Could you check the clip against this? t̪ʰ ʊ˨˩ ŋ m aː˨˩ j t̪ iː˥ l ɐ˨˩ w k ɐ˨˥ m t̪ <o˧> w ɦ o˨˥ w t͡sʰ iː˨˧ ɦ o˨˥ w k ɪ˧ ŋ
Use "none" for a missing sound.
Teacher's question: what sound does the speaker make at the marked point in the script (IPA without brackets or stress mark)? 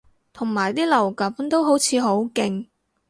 o˥